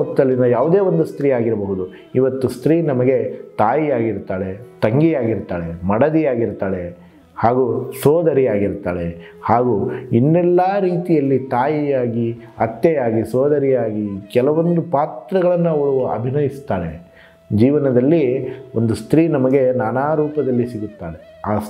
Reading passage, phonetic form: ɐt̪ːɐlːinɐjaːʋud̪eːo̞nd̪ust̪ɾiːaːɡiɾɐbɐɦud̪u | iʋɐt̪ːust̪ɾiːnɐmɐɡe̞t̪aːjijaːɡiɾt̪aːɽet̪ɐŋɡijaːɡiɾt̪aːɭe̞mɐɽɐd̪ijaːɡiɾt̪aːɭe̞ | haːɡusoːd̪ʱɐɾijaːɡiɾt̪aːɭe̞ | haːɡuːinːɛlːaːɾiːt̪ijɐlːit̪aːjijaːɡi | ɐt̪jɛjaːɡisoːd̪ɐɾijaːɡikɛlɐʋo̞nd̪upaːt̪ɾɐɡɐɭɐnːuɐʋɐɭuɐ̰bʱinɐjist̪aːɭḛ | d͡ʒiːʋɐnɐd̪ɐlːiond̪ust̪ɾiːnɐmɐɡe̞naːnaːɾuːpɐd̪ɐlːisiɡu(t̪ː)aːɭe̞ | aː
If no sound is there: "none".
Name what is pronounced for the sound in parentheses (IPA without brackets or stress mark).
t̪ː